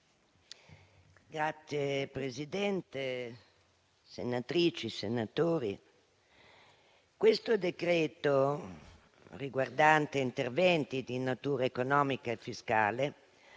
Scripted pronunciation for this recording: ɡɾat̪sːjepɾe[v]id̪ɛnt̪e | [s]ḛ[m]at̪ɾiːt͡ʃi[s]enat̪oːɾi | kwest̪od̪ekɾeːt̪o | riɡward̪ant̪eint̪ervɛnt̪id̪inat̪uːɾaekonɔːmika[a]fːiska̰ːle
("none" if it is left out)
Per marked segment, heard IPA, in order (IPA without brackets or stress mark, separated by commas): z, s, n, s, e